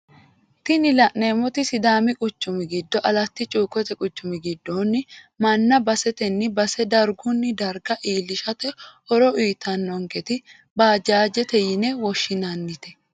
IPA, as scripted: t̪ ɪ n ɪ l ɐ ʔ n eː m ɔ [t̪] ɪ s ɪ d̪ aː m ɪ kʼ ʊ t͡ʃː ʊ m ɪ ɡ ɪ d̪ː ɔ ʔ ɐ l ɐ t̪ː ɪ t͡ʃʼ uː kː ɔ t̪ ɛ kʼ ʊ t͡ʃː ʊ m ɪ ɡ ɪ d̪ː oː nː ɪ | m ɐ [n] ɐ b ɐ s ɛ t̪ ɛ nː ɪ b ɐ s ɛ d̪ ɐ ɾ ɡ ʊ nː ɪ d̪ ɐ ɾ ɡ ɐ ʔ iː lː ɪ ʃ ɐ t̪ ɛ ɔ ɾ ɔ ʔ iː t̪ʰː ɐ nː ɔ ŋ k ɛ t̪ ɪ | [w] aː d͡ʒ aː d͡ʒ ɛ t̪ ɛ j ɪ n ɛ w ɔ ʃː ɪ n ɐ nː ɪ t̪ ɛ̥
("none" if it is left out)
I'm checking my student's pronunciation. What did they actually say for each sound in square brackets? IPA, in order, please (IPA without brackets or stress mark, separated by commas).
t̪, nː, b